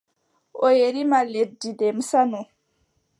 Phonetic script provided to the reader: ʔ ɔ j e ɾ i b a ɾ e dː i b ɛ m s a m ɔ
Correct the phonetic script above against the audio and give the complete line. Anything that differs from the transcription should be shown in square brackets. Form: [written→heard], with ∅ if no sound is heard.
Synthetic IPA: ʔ ɔ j e ɾ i [b→m] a [ɾ→l] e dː i [b→d] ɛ m s a [m→n] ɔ